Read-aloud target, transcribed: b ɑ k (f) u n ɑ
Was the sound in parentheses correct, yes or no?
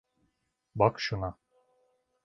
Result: no